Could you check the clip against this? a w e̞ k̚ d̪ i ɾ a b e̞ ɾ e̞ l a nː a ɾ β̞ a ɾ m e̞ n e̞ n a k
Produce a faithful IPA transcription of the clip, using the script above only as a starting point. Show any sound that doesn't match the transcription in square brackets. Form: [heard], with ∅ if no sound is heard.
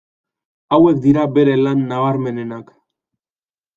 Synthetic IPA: a w e̞ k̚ d̪ i ɾ a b e̞ ɾ e̞ l a nː a [∅] β̞ a ɾ m e̞ n e̞ n a k